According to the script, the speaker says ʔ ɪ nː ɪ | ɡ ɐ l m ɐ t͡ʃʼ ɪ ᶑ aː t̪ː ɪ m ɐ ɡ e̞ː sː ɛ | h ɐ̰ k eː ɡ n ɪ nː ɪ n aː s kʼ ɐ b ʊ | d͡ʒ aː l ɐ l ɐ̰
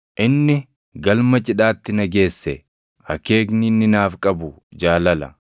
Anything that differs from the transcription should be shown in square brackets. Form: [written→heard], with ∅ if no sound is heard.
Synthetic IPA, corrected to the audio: ʔ ɪ nː ɪ | ɡ ɐ l m ɐ t͡ʃʼ ɪ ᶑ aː t̪ː ɪ [m→n] ɐ ɡ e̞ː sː ɛ | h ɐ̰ k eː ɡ n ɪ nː ɪ n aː [s→f] kʼ ɐ b ʊ | d͡ʒ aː l ɐ l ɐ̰

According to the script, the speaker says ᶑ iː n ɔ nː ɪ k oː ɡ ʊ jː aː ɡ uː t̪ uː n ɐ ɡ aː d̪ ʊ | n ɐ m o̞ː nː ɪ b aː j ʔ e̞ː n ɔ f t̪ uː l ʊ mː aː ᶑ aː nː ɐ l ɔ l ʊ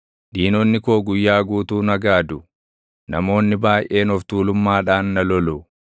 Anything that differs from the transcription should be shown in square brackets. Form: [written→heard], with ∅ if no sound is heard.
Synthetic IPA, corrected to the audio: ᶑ iː n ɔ nː ɪ k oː ɡ ʊ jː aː ɡ uː t̪ uː n ɐ ɡ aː d̪ ʊ | n ɐ m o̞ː nː ɪ b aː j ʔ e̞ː n ɔ f t̪ uː l ʊ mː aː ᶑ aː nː ɐ l ɔ l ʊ

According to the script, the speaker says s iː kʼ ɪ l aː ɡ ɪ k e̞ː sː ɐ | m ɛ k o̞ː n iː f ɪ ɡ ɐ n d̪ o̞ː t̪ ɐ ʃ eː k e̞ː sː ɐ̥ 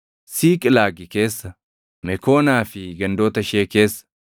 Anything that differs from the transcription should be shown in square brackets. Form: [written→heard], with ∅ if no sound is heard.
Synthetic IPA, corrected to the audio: s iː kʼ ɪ l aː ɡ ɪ k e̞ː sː ɐ | m ɛ k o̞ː n [iː→aː] f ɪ ɡ ɐ n d̪ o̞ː t̪ ɐ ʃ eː k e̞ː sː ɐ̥

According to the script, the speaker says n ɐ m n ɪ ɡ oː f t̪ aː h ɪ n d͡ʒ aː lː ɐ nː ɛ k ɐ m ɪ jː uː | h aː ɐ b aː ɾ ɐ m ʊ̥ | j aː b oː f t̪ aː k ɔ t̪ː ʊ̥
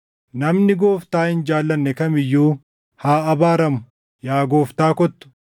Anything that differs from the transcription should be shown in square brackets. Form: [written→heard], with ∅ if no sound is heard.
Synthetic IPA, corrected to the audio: n ɐ m n ɪ ɡ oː f t̪ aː h ɪ n d͡ʒ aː lː ɐ nː ɛ k ɐ m ɪ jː uː | h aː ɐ b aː ɾ ɐ m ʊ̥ | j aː [b→ɡ] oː f t̪ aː k ɔ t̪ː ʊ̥

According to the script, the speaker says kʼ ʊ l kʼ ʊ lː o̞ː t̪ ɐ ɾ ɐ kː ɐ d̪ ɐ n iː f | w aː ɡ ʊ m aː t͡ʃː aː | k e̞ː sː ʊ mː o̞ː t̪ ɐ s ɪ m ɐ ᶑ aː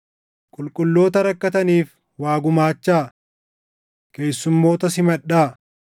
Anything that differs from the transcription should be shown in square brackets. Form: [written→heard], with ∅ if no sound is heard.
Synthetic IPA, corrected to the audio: kʼ ʊ l kʼ ʊ lː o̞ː t̪ ɐ ɾ ɐ kː ɐ [d̪→t̪] ɐ n iː f | w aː ɡ ʊ m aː t͡ʃː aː | k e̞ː sː ʊ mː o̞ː t̪ ɐ s ɪ m ɐ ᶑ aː

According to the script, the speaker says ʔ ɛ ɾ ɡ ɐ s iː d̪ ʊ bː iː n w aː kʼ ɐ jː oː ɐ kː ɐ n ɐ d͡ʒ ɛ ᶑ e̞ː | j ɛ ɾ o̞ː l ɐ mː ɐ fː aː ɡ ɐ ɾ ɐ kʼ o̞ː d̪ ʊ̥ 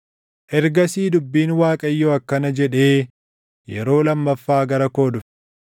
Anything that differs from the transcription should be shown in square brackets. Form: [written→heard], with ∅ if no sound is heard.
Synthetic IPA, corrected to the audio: ʔ ɛ ɾ ɡ ɐ s iː d̪ ʊ bː iː n w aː kʼ ɐ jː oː ɐ kː ɐ n ɐ d͡ʒ ɛ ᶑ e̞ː | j ɛ ɾ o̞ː l ɐ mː ɐ fː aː ɡ ɐ ɾ ɐ [kʼ→k] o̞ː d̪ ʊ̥

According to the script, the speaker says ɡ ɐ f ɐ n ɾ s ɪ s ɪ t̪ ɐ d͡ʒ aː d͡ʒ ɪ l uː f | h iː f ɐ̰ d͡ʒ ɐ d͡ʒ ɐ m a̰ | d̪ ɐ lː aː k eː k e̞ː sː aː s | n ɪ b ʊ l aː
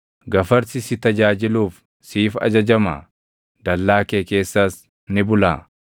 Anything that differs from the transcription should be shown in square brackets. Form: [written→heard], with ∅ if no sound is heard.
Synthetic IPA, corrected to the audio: ɡ ɐ f ɐ [n→∅] ɾ s ɪ s ɪ t̪ ɐ d͡ʒ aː d͡ʒ ɪ l uː f | [h→s] iː f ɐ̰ d͡ʒ ɐ d͡ʒ ɐ m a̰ | d̪ ɐ lː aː k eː k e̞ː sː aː s | n ɪ b ʊ l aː

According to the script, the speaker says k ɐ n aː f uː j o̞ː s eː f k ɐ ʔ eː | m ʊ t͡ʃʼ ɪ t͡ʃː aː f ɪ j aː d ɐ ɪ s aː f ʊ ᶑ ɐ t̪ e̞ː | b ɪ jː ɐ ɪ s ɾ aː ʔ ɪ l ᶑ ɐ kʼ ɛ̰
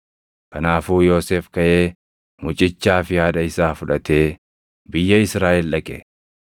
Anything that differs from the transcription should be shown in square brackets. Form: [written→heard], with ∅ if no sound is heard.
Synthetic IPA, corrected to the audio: k ɐ n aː f uː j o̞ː s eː f k ɐ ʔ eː | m ʊ t͡ʃʼ ɪ t͡ʃː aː f ɪ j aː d ɐ ɪ s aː f ʊ ᶑ ɐ t̪ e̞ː | b ɪ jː ɐ ɪ s ɾ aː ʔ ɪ l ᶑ ɐ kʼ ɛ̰

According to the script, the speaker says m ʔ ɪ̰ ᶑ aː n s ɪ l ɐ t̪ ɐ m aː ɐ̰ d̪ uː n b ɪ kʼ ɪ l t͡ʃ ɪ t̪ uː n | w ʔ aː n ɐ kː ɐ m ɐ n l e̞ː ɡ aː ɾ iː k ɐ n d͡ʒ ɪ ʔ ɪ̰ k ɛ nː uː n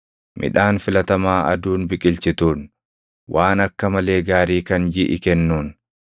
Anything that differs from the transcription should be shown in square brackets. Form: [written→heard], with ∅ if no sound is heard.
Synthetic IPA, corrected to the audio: m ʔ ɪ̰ ᶑ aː n [s→f] ɪ l ɐ t̪ ɐ m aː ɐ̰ d̪ uː n b ɪ kʼ ɪ l t͡ʃ ɪ t̪ uː n | w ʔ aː n ɐ kː ɐ m ɐ [n→∅] l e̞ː ɡ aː ɾ iː k ɐ n d͡ʒ ɪ ʔ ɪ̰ k ɛ nː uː n

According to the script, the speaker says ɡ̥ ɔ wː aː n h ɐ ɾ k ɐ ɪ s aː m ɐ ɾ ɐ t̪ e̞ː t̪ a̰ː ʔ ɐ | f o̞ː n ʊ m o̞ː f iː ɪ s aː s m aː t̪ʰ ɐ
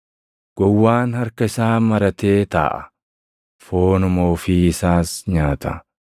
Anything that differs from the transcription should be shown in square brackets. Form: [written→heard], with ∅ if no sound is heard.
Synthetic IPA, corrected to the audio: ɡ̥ ɔ wː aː n h ɐ ɾ k ɐ ɪ s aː m ɐ ɾ ɐ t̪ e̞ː t̪ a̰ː ʔ ɐ | f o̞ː n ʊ m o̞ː f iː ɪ s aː s [m→ɲ] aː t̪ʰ ɐ

